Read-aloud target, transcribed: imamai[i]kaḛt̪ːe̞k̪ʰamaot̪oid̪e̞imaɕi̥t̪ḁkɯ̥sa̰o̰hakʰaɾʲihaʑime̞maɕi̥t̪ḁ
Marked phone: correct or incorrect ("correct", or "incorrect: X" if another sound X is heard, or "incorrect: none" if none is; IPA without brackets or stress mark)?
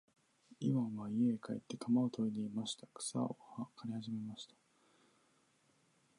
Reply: incorrect: e